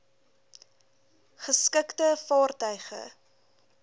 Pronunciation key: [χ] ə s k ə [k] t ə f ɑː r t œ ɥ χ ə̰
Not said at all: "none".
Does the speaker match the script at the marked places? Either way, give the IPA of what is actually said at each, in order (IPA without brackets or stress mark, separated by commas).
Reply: χ, k